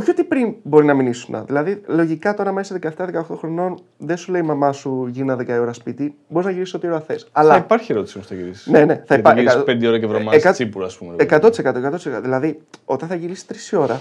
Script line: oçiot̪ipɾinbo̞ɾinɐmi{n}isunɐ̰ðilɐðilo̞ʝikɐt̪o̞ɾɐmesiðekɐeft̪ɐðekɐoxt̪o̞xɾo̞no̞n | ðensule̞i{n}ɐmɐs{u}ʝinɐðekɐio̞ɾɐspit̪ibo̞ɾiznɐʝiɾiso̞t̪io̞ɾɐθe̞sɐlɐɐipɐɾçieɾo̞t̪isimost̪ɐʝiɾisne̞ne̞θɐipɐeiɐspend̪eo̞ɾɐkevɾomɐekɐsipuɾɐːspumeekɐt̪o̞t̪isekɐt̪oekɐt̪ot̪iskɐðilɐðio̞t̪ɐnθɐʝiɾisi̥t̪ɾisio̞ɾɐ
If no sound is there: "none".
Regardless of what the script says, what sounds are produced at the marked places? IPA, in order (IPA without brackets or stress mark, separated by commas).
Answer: n, m, u